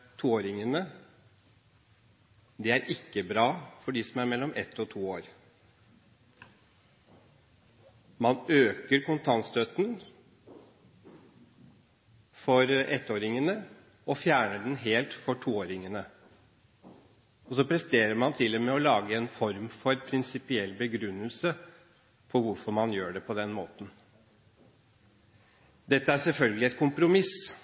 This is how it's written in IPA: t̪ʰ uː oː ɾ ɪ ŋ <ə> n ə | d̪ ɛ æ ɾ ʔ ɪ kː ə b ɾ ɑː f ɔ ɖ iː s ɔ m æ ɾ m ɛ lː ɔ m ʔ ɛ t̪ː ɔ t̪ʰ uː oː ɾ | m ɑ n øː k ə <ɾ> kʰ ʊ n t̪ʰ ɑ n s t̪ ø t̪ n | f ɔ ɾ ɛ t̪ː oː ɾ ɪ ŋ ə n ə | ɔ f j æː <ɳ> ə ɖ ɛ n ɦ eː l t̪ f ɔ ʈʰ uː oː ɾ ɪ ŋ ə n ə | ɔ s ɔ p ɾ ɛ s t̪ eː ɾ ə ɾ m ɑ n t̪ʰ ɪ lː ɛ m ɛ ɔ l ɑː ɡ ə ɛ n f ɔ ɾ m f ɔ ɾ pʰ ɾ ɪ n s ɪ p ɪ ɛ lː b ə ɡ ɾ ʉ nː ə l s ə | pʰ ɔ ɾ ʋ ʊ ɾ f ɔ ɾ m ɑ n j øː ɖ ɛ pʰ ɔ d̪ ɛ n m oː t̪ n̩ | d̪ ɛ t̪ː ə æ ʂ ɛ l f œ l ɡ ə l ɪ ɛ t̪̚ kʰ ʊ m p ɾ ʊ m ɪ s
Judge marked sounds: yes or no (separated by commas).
yes, yes, yes